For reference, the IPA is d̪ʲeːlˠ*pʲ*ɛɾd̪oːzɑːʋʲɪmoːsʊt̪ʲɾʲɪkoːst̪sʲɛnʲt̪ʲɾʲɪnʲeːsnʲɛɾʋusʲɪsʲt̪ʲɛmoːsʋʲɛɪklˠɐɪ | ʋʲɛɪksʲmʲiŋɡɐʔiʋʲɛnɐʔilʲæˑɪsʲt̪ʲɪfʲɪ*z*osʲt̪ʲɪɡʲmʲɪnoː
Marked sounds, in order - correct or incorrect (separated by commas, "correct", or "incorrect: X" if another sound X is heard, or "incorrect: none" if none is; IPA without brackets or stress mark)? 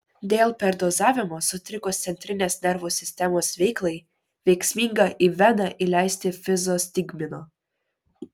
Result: correct, correct